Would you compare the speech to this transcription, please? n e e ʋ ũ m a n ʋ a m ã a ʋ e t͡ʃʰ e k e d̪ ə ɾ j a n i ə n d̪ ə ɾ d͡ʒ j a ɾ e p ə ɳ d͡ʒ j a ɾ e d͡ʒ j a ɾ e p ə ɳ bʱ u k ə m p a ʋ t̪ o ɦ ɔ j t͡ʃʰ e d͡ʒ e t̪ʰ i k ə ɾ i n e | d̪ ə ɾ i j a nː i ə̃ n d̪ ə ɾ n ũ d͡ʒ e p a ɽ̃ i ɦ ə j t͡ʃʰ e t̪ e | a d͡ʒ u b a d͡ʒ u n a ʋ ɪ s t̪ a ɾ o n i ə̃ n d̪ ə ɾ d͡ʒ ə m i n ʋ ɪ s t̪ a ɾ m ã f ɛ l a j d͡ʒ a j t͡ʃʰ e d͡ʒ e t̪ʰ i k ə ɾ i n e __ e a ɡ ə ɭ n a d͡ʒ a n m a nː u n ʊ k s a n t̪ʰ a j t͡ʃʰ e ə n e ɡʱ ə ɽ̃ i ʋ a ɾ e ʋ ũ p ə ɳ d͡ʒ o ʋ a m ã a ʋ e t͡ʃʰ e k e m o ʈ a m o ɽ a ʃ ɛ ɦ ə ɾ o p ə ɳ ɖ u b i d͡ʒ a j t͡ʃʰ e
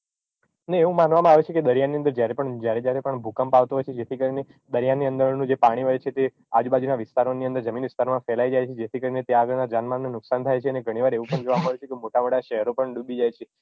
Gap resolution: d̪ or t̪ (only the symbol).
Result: t̪